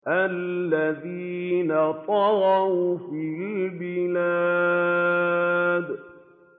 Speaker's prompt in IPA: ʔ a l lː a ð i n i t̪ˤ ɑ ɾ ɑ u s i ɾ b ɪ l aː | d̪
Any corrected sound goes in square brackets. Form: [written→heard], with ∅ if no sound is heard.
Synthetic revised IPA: ʔ a l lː a ð i n [i→a] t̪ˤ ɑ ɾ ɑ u [s→f] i [ɾ→l] b ɪ l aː | d̪